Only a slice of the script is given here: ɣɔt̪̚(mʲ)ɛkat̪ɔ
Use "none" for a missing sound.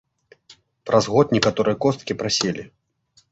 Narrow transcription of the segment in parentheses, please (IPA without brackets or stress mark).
nʲ